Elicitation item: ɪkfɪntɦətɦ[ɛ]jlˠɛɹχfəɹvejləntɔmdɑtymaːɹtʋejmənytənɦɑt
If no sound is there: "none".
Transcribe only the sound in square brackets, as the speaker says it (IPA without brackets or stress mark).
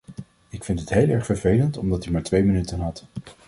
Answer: e